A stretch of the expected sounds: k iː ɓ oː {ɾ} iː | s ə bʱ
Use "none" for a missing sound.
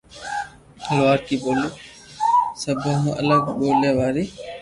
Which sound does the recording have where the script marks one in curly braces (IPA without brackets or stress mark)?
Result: l